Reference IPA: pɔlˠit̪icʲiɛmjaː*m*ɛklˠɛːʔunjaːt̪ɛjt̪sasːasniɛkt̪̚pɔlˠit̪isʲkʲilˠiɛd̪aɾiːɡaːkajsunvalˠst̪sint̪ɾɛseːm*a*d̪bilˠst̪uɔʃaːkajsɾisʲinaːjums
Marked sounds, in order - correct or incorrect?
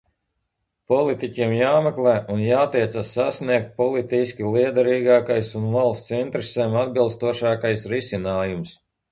correct, correct

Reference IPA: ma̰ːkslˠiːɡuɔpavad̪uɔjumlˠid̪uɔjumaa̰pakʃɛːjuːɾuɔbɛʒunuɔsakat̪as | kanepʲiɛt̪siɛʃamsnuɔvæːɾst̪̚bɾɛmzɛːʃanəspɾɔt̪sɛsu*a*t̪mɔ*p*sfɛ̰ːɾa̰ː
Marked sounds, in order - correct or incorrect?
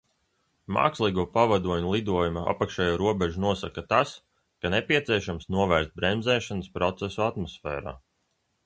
correct, incorrect: none

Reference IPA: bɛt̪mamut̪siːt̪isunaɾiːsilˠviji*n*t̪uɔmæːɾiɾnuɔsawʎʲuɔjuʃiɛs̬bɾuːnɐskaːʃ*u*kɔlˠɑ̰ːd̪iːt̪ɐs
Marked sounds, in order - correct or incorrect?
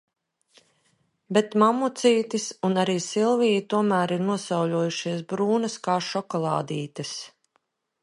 incorrect: none, incorrect: ɔ

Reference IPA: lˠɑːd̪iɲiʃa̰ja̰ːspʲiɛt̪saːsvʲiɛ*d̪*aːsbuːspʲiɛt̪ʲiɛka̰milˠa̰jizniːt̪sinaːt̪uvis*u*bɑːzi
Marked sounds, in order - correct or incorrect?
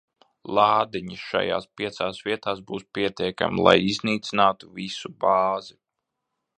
incorrect: t̪, correct

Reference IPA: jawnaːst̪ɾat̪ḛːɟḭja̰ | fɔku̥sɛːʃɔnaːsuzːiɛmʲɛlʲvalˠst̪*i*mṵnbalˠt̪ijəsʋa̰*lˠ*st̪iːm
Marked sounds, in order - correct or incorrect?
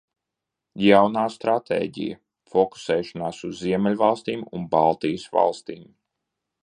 incorrect: iː, correct

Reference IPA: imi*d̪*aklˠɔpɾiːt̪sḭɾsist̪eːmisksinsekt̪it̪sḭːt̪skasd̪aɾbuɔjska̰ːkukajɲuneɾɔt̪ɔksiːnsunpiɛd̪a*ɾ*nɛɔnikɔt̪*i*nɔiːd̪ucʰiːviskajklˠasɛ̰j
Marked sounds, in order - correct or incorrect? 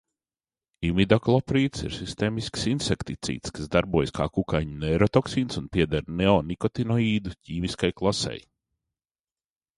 correct, correct, correct

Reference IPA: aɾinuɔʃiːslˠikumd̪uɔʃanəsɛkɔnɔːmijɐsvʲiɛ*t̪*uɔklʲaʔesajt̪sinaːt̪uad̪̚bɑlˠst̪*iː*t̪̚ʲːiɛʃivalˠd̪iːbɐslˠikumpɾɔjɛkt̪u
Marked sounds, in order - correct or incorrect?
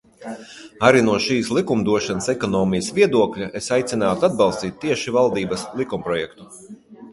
incorrect: d̪, correct

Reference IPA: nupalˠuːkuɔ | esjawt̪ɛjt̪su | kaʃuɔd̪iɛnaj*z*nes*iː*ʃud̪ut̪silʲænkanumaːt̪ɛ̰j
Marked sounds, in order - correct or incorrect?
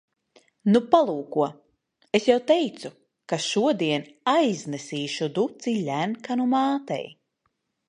correct, correct

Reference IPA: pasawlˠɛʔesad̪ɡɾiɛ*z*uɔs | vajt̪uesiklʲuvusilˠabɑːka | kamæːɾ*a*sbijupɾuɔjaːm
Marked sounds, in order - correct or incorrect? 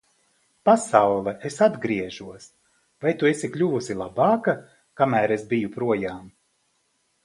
incorrect: ʒ, incorrect: e

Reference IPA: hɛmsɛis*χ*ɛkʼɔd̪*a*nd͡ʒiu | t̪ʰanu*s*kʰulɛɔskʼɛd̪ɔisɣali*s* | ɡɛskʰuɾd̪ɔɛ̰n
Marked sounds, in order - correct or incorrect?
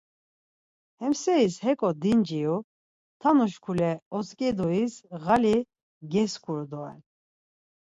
incorrect: h, incorrect: i, incorrect: ʃ, incorrect: none

